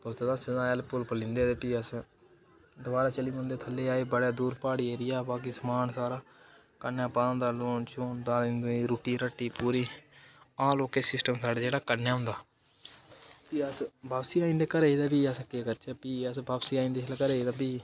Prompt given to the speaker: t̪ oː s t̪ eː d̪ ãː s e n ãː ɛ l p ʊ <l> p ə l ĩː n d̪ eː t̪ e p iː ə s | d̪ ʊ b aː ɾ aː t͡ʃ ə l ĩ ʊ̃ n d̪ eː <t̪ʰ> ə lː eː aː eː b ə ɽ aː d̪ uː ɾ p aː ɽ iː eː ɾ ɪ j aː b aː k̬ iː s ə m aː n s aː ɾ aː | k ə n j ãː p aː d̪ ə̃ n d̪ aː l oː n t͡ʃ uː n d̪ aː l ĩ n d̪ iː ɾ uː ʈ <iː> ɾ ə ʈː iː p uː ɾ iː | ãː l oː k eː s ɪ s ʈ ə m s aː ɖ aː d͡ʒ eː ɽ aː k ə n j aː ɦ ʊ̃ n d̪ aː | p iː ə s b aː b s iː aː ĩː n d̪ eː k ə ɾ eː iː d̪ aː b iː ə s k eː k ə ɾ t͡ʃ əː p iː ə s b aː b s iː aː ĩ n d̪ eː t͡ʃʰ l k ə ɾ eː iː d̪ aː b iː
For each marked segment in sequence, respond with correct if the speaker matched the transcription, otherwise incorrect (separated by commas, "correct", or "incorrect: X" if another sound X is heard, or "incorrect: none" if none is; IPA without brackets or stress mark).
correct, correct, correct